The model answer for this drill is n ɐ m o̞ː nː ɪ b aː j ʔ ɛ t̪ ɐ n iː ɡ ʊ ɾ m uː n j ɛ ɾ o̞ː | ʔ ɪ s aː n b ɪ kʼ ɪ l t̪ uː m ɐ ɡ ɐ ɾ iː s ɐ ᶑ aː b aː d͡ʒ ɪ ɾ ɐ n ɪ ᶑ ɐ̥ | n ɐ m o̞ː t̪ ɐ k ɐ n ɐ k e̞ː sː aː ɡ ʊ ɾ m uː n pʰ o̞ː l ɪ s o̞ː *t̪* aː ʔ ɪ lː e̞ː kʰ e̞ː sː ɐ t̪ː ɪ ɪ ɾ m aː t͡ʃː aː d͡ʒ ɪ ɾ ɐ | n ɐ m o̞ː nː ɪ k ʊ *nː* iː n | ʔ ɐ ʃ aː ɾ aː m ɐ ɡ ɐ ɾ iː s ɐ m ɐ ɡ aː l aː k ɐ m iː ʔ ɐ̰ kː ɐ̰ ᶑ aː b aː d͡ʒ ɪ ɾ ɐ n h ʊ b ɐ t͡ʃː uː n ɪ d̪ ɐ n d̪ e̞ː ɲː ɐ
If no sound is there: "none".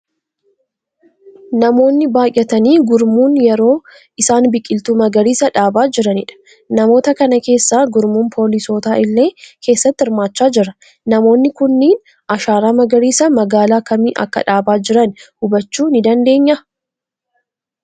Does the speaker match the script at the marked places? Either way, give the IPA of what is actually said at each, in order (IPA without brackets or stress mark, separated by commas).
t̪, nː